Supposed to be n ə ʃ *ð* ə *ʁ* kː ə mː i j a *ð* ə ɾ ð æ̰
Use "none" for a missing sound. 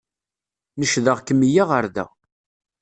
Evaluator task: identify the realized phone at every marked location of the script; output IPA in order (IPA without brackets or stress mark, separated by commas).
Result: ð, ʁ, ʁ